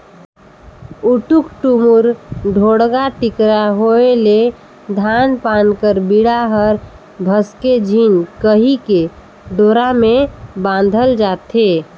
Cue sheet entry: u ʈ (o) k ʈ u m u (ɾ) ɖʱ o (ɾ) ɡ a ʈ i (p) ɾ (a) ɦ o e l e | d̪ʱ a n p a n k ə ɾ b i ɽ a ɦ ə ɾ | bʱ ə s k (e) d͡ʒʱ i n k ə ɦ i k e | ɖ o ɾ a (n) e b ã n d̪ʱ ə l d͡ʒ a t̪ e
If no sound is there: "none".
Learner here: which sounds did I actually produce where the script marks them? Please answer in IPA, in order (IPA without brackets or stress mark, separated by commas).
u, ɾ, ɽ, k, a, e, m